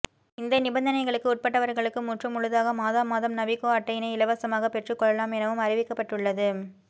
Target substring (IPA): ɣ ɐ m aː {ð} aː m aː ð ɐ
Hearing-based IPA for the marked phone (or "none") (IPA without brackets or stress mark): ð